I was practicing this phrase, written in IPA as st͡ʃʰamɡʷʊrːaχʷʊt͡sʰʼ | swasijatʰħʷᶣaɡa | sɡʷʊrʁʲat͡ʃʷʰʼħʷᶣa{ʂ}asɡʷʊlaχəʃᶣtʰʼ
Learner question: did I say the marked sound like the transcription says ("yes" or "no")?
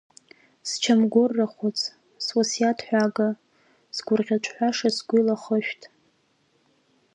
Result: yes